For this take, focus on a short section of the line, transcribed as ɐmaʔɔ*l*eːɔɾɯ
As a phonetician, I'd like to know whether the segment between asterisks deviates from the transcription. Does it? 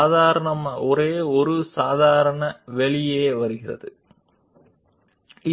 yes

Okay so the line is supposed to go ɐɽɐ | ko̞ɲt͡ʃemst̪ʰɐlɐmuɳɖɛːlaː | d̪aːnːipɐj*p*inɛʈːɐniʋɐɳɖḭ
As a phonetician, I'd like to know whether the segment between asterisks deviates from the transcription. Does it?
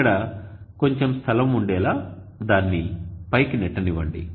yes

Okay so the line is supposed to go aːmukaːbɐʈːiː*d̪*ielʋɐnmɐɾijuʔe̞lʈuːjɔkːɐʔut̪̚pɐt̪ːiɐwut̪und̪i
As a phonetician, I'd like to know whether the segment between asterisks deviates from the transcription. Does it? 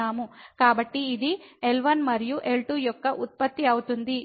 no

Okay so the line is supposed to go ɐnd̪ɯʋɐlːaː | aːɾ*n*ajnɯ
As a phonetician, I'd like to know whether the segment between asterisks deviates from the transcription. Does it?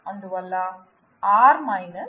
yes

